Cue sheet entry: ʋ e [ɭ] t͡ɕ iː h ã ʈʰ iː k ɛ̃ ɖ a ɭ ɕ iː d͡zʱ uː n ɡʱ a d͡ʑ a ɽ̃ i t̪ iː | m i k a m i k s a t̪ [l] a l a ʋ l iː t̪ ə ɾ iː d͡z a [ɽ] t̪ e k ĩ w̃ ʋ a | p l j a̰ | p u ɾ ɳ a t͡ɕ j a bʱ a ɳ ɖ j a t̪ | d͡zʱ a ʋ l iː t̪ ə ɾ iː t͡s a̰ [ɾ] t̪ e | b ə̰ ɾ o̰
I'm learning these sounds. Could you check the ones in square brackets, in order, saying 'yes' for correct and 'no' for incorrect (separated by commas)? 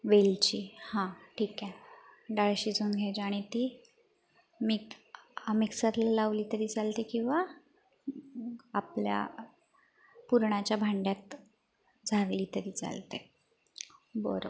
no, yes, no, no